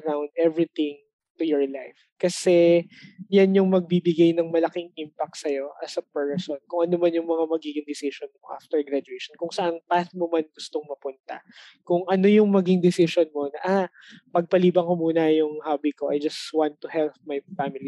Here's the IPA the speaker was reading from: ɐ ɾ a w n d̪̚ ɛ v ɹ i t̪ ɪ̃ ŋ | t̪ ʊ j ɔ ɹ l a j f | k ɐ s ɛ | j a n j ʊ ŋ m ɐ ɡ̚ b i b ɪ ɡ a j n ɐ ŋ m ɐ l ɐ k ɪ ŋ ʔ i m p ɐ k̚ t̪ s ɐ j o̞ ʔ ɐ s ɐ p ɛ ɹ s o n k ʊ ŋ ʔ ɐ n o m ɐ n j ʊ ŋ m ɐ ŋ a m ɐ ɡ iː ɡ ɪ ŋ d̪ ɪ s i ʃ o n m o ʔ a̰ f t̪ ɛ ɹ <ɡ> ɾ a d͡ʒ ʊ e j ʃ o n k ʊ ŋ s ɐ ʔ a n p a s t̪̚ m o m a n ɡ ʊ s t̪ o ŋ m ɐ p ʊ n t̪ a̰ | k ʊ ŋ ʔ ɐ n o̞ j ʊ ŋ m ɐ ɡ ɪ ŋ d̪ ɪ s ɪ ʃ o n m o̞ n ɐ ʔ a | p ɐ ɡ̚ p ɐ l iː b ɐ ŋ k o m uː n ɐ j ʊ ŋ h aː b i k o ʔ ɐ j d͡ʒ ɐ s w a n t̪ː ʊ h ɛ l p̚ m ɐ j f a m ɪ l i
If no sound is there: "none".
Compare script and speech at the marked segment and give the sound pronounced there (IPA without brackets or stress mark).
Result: ɡ